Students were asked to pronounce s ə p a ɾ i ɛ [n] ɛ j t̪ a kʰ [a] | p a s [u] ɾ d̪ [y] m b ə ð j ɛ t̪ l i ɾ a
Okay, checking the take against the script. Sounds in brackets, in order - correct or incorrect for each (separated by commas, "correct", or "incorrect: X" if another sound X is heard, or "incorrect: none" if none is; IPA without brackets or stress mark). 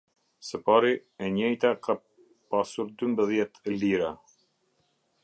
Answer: incorrect: ɲ, correct, correct, correct